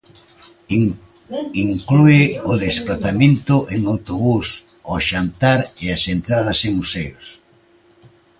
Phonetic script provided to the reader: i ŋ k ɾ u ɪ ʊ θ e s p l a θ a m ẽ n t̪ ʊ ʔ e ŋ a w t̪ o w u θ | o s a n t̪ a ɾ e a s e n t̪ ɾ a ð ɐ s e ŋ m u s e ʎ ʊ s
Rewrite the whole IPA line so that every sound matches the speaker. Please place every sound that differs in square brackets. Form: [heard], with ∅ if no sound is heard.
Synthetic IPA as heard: i ŋ k [l] u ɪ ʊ [ð] e s p l a θ a m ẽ n t̪ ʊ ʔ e ŋ a w t̪ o [β] u [s] | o [ʃ] a n t̪ a ɾ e a s e n t̪ ɾ a ð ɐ s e ŋ m u s e [j] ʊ s